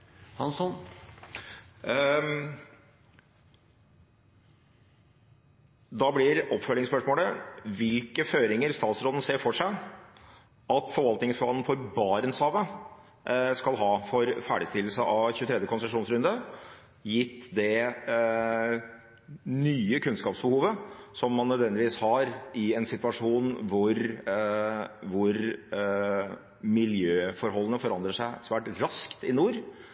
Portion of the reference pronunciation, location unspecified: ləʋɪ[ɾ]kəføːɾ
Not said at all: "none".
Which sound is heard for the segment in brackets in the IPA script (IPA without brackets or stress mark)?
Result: l